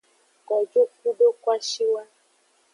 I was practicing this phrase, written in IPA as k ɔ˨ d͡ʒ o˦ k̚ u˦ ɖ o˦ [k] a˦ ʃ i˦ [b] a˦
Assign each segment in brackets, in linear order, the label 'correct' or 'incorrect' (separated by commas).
correct, incorrect